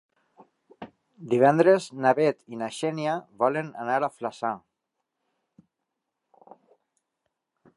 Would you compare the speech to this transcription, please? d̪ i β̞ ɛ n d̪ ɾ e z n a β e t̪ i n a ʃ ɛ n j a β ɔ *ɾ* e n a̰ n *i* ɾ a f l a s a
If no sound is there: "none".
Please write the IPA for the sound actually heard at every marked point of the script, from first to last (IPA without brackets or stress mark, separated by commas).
l, a